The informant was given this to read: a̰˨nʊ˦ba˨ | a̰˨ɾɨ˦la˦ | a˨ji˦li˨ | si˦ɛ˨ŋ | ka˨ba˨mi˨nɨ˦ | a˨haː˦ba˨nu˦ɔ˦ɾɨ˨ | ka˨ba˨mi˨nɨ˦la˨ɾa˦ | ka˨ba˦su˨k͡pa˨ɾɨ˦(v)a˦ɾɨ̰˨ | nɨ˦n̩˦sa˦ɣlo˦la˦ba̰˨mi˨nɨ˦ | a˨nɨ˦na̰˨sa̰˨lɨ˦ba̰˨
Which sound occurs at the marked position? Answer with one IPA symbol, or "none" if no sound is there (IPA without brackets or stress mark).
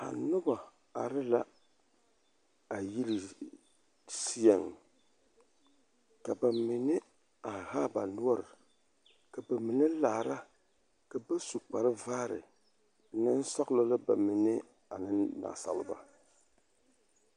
v